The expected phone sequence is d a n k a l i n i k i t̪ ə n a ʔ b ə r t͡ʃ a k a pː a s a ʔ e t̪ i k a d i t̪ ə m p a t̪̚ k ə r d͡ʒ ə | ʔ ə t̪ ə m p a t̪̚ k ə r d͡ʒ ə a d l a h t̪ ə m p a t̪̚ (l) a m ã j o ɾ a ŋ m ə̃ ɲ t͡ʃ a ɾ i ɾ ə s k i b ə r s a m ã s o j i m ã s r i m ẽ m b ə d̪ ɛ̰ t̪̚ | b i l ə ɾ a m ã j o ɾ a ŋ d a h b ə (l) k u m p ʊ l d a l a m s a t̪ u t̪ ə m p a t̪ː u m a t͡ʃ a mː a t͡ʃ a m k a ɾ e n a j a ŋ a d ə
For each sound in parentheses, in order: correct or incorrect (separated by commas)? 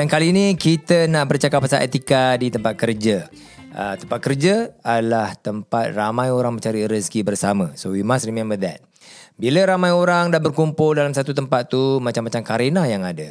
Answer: incorrect, incorrect